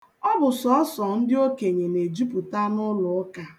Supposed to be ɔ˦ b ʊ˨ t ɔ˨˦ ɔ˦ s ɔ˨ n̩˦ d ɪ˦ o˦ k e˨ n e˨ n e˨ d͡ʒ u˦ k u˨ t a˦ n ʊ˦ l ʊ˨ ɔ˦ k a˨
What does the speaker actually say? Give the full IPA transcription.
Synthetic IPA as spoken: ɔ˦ b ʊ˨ s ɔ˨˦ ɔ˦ s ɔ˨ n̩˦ d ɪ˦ o˦ k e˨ ɲ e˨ n e˨ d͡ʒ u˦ p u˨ t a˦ n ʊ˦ l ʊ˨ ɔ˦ k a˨